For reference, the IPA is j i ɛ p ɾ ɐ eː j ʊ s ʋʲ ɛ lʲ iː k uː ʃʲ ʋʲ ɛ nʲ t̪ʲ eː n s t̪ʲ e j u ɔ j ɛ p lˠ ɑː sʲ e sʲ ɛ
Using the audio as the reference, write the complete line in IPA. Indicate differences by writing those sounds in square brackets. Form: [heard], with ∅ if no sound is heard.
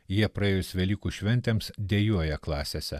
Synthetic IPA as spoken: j i ɛ p ɾ ɐ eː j ʊ s ʋʲ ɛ lʲ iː k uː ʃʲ ʋʲ ɛ nʲ t̪ʲ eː [m] s [d̪ʲ] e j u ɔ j ɛ [k] lˠ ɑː sʲ e sʲ ɛ